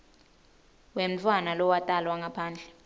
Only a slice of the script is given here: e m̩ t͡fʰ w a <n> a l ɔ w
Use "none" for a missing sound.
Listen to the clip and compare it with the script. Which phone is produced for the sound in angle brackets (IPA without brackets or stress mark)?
n